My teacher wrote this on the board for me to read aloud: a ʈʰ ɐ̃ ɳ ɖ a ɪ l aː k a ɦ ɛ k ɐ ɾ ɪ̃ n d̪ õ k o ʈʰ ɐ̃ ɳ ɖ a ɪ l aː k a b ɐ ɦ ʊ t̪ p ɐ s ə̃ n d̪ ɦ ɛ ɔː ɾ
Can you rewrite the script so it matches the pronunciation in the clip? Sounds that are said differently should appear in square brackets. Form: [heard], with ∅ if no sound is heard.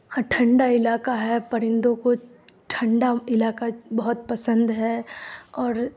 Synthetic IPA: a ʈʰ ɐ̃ ɳ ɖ a ɪ l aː k a ɦ ɛ [p] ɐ ɾ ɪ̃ n d̪ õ k o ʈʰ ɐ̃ ɳ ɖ a ɪ l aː k a b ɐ ɦ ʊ t̪ p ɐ s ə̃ n d̪ ɦ ɛ ɔː ɾ